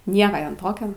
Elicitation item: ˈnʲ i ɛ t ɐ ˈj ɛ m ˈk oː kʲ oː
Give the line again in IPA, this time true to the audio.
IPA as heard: ˈnʲ i ɛ k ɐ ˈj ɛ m ˈt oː kʲ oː

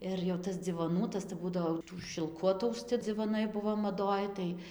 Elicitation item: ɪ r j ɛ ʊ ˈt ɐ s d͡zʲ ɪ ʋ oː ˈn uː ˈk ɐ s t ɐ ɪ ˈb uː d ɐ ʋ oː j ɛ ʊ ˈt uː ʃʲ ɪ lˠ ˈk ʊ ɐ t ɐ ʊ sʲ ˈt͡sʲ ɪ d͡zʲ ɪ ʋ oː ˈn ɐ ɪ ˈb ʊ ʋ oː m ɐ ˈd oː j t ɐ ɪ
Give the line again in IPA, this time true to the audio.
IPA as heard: ɪ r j ɛ ʊ ˈt ɐ s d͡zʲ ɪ ʋ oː ˈn uː ˈt ɐ s t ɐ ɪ ˈb uː d ɐ ʋ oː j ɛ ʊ ˈt uː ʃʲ ɪ lˠ ˈk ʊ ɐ t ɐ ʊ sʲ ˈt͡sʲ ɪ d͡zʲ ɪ ʋ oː ˈn ɐ ɪ ˈb ʊ ʋ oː m ɐ ˈd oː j t ɐ ɪ

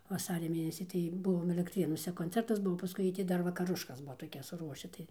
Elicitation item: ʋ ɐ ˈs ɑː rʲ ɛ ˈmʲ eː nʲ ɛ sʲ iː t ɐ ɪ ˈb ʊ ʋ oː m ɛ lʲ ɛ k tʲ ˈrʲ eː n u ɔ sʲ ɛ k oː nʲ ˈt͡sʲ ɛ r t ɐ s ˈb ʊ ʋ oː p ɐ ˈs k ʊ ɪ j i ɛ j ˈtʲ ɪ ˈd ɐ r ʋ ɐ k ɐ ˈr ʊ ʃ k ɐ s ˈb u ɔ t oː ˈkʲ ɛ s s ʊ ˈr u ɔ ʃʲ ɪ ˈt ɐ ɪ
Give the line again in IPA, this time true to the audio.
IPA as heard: ʋ ɐ ˈs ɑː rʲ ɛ ˈmʲ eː nʲ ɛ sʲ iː t ɐ ɪ ˈb ʊ ʋ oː m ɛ lʲ ɛ k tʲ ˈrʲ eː n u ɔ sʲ ɛ k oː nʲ ˈt͡sʲ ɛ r t ɐ s ˈb ʊ ʋ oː p ɐ ˈs k ʊ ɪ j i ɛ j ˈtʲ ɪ ˈd ɐ r ʋ ɐ k ɐ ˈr ʊ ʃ k ɐ s ˈb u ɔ t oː ˈkʲ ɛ s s ʊ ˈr u ɔ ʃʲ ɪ ˈt ɐ ɪ

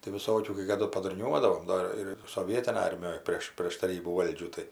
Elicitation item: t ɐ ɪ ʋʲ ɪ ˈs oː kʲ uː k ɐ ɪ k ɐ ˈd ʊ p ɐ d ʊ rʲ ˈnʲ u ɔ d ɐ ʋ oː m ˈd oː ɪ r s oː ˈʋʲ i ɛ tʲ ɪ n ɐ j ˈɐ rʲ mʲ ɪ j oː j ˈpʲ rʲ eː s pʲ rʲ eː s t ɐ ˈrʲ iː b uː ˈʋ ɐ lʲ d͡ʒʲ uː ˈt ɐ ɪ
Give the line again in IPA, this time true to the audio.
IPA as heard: t ɐ ɪ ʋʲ ɪ ˈs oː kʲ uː k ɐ ɪ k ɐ ˈd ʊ p ɐ d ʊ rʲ ˈnʲ u ɔ d ɐ ʋ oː m ˈd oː ɪ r s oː ˈʋʲ i ɛ tʲ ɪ n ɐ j ˈɐ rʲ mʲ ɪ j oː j ˈpʲ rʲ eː ʃ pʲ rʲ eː ʃ t ɐ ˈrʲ iː b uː ˈʋ ɐ lʲ d͡ʒʲ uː ˈt ɐ ɪ

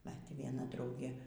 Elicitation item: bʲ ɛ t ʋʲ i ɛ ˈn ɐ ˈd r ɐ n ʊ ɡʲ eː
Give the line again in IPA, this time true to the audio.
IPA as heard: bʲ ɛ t ʋʲ i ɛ ˈn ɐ ˈd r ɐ ʊ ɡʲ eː

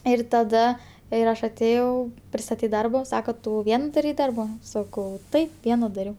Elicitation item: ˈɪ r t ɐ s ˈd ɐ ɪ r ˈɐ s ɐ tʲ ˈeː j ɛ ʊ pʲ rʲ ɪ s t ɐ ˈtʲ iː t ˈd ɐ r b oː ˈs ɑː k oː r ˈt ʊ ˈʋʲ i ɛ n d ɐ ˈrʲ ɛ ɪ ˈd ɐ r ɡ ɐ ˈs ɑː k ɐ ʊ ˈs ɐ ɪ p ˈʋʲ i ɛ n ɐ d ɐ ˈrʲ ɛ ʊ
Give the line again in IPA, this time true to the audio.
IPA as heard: ˈɪ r t ɐ ˈd ɐ ɪ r ˈɐ ʃ ɐ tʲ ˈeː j ɛ ʊ pʲ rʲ ɪ s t ɐ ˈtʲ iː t ˈd ɐ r b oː ˈs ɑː k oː ˈt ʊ ˈʋʲ i ɛ n d ɐ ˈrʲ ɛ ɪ ˈd ɐ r b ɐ ˈs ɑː k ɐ ʊ ˈt ɐ ɪ p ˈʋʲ i ɛ n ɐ d ɐ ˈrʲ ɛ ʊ

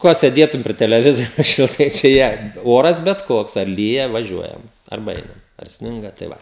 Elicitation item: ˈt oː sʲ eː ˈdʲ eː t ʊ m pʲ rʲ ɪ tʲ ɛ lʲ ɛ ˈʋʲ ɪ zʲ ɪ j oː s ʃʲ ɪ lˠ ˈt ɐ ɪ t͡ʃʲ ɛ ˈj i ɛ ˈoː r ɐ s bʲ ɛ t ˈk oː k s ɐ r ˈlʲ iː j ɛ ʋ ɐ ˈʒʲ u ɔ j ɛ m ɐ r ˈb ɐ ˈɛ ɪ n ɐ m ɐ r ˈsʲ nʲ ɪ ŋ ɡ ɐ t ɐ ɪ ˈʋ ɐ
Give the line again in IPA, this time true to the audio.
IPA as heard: ˈk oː sʲ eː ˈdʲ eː t ʊ m pʲ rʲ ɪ tʲ ɛ lʲ ɛ ˈʋʲ ɪ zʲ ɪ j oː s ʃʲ ɪ lˠ ˈt ɐ ɪ t͡ʃʲ ɛ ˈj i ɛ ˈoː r ɐ s bʲ ɛ t ˈk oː k s ɐ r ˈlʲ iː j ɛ ʋ ɐ ˈʒʲ u ɔ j ɛ m ɐ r ˈb ɐ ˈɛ ɪ n ɐ m ɐ r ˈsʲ nʲ ɪ ŋ ɡ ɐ t ɐ ɪ ˈʋ ɐ

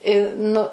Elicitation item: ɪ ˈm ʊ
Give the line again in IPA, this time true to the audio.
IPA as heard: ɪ ˈn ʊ

